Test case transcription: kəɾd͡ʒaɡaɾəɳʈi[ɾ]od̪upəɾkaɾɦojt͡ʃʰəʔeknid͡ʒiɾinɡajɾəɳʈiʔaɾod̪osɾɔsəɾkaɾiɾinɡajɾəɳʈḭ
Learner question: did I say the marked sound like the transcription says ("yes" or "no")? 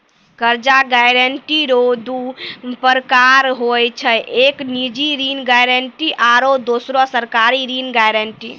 yes